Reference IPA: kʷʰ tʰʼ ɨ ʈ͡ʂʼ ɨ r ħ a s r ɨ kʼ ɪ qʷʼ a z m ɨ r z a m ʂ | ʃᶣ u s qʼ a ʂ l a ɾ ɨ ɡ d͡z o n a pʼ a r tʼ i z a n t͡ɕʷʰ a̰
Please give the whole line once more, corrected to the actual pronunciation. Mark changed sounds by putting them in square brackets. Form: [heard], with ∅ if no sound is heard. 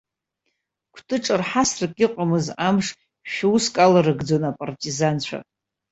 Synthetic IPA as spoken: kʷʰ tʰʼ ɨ ʈ͡ʂʼ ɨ r ħ a s r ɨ kʼ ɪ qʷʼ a [∅] m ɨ [∅] z a m ʂ | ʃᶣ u s [kʼ] a [∅] l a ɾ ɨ ɡ d͡z o n a pʼ a r tʼ i z a n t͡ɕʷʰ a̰